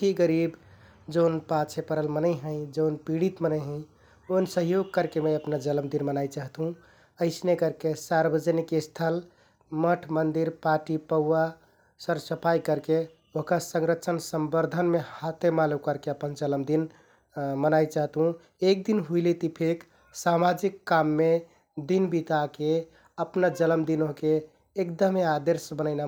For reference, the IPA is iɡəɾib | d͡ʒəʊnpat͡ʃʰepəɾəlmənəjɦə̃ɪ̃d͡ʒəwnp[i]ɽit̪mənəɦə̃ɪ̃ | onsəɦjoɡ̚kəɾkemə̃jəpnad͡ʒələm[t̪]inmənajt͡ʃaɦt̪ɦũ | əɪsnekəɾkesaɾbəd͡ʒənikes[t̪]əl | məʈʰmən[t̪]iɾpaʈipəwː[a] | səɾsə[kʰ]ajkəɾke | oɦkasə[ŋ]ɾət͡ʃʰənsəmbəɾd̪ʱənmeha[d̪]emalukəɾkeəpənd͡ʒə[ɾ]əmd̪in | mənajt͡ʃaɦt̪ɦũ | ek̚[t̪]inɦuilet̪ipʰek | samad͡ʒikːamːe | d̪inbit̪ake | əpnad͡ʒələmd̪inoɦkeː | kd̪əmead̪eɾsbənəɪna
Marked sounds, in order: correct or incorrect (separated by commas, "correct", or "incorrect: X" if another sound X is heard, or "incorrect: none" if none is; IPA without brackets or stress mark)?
correct, incorrect: d̪, incorrect: t̪ʰ, incorrect: d̪, correct, incorrect: pʰ, correct, incorrect: t̪, incorrect: l, incorrect: d̪